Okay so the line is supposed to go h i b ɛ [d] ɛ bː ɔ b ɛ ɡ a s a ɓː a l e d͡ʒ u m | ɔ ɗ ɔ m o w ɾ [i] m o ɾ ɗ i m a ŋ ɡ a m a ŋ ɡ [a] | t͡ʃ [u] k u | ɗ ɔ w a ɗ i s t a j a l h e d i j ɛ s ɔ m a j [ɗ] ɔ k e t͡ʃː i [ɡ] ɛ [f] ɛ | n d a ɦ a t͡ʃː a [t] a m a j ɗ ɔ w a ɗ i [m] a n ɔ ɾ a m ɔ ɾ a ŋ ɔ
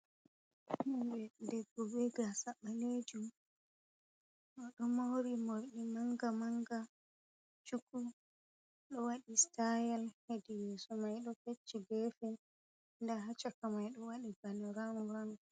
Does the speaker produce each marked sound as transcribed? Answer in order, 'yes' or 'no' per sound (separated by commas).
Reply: yes, yes, yes, yes, yes, yes, yes, no, no